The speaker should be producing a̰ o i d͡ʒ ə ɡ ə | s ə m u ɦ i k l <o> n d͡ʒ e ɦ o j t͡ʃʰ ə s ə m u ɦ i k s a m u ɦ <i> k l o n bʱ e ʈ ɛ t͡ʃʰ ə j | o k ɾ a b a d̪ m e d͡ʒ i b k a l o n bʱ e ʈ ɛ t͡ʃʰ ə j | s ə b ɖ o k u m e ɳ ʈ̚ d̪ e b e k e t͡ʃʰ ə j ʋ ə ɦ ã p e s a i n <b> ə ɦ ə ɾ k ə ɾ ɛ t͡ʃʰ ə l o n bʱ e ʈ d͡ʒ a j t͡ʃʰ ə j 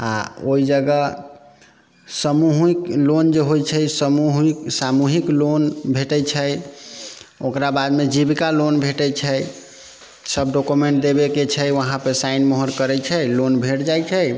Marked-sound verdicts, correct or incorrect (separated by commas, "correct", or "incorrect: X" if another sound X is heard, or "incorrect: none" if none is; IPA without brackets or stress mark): correct, correct, incorrect: m